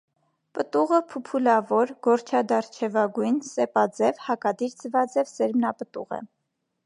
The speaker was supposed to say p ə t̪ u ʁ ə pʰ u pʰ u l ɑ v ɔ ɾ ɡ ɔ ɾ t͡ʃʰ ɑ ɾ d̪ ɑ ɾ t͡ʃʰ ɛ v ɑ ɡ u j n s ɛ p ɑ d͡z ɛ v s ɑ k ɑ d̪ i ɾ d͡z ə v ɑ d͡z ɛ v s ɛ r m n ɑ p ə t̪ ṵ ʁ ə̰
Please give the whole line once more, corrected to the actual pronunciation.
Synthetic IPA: p ə t̪ u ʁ ə pʰ u pʰ u l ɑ v ɔ ɾ ɡ ɔ ɾ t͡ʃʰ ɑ d̪ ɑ ɾ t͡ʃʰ ɛ v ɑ ɡ u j n s ɛ p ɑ d͡z ɛ v h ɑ k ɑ d̪ i ɾ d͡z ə v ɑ d͡z ɛ v s ɛ ɾ m n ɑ p ə t̪ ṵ ʁ ə̰